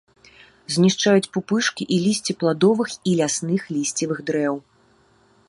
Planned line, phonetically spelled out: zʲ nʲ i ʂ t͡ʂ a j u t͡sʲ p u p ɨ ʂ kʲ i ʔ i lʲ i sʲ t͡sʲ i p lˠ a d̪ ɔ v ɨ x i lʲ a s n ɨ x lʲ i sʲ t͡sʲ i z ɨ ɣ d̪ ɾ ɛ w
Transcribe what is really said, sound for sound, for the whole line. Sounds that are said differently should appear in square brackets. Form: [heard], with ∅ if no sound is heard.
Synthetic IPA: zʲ nʲ i ʂ t͡ʂ a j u t͡sʲ p u p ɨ ʂ kʲ i ʔ i lʲ i sʲ t͡sʲ i p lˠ a d̪ ɔ v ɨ x i lʲ a s n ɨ x lʲ i sʲ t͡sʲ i [v] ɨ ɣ d̪ ɾ ɛ w

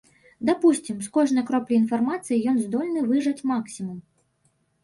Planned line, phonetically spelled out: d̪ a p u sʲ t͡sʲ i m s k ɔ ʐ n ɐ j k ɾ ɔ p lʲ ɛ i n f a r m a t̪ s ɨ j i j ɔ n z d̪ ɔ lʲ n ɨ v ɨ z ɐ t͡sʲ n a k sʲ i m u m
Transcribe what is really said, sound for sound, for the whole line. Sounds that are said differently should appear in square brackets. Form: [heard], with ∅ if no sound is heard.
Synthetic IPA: d̪ a p u sʲ t͡sʲ i m s k ɔ ʐ n ɐ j k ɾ ɔ p lʲ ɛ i n f a r m a t̪ s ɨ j i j ɔ n z d̪ ɔ lʲ n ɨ v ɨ [ʐ] ɐ t͡sʲ [m] a k sʲ i m u m

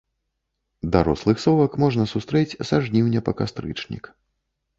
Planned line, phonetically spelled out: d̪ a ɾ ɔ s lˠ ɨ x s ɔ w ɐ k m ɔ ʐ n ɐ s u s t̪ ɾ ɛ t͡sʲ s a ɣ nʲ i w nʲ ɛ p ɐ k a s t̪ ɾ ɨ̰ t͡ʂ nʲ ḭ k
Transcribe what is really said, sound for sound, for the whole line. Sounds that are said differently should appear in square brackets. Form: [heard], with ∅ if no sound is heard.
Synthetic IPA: d̪ a ɾ ɔ s lˠ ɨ x s ɔ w ɐ k m ɔ ʐ n ɐ s u s t̪ ɾ ɛ t͡sʲ s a [ʐ] nʲ i w nʲ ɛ p ɐ k a s t̪ ɾ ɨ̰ t͡ʂ nʲ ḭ k

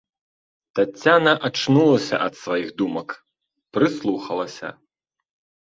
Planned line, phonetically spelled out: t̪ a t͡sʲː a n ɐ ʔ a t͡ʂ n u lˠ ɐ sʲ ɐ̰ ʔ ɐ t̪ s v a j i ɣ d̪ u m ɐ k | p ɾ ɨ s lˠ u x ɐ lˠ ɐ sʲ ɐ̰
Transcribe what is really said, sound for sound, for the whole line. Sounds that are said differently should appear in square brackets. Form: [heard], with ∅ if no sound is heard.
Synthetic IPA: t̪ a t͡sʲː a n ɐ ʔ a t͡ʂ n u lˠ ɐ sʲ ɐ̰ ʔ ɐ t̪ s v a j i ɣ d̪ u m ɐ k | p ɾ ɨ s lˠ u x ɐ lˠ ɐ sʲ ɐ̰

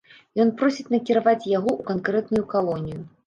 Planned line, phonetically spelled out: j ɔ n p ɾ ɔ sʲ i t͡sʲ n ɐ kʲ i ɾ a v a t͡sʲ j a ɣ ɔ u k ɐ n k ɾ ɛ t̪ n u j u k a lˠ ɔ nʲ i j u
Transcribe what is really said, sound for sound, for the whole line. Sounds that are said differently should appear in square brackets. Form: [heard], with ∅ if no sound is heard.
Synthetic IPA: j ɔ n p ɾ ɔ sʲ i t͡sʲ n ɐ kʲ i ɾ a v a t͡sʲ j a ɣ ɔ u k [a] n k ɾ ɛ t̪ n u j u k a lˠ ɔ nʲ i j u

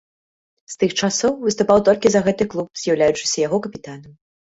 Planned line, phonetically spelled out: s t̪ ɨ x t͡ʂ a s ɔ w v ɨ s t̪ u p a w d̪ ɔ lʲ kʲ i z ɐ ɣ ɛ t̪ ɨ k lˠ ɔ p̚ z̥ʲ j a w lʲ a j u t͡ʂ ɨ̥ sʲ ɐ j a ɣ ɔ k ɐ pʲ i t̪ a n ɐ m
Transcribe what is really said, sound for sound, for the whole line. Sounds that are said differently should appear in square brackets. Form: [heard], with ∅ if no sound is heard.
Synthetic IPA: s t̪ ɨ x t͡ʂ a s ɔ w v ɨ s t̪ u p a w [t̪] ɔ lʲ kʲ i z ɐ ɣ ɛ t̪ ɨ k lˠ [u] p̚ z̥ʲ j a w lʲ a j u t͡ʂ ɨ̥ sʲ ɐ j a ɣ ɔ k ɐ pʲ i t̪ a n ɐ m

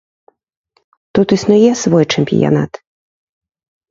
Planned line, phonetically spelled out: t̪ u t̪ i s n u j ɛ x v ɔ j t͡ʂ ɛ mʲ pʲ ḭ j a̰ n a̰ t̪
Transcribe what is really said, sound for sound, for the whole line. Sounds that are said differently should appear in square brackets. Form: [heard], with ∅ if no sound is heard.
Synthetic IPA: t̪ u t̪ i s n u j ɛ [s] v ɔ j t͡ʂ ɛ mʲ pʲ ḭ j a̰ n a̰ t̪

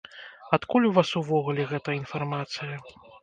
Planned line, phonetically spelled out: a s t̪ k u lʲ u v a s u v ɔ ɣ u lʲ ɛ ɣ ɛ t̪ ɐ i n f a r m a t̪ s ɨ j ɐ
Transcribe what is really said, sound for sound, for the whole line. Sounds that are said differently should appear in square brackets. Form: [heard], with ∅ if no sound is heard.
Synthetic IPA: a [∅] t̪ k u lʲ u v a s u v ɔ ɣ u lʲ ɛ ɣ ɛ t̪ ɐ i n f a r m a t̪ s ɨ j ɐ

